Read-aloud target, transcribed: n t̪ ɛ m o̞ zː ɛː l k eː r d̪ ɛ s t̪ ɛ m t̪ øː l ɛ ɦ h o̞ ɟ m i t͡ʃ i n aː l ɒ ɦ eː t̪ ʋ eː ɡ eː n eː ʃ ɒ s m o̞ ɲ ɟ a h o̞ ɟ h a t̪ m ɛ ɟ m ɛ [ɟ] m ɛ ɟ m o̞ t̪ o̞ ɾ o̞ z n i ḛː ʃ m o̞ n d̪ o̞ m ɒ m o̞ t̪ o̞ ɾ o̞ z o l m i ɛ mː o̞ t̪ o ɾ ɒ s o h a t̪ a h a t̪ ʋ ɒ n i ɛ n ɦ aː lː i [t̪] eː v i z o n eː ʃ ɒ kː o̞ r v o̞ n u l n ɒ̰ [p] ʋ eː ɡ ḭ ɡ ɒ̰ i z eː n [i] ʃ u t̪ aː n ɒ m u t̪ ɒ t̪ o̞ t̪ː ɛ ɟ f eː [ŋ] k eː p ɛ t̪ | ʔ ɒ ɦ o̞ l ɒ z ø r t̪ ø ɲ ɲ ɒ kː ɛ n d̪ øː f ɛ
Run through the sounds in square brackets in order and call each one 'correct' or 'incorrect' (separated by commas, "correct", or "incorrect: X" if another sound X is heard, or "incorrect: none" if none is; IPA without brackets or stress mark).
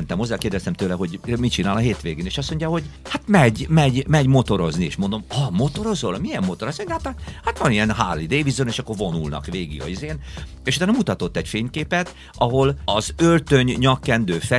correct, incorrect: d̪, incorrect: k, incorrect: e, incorrect: ɲ